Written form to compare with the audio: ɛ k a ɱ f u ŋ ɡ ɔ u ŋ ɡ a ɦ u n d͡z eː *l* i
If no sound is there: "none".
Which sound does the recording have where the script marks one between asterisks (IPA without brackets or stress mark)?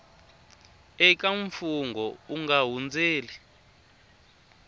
l